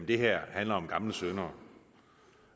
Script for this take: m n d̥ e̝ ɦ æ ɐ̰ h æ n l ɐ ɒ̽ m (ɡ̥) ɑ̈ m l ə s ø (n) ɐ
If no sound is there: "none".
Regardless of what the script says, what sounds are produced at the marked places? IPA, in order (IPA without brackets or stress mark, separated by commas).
ɡ̥, n